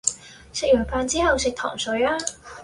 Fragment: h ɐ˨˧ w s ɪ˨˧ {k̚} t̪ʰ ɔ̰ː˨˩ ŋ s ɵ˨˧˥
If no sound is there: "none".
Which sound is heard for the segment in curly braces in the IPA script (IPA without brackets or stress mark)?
k̚